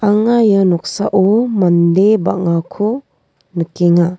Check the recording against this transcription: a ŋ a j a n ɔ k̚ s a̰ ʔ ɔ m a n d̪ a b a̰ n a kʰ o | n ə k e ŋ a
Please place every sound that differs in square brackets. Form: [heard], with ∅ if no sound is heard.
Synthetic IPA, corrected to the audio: a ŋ a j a n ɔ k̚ s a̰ ʔ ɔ m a n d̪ [e] b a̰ [ŋ] a kʰ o | n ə k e ŋ a